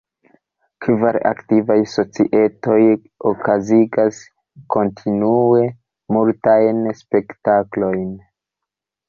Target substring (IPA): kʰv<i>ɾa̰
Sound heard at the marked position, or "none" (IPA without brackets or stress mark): a